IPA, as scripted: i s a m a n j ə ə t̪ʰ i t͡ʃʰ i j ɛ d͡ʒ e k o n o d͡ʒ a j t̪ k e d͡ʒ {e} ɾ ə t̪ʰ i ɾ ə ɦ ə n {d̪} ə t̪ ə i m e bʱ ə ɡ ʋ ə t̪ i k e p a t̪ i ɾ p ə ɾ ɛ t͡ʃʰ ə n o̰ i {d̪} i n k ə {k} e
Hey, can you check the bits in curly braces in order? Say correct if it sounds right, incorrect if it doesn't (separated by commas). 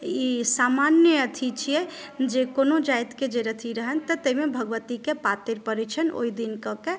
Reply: correct, incorrect, correct, correct